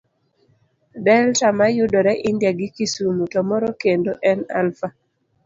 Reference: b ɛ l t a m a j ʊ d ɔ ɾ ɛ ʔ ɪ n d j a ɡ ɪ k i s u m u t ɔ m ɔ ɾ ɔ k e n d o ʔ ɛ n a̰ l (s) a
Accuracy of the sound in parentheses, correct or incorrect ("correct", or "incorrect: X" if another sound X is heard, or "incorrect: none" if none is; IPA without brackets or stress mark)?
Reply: incorrect: f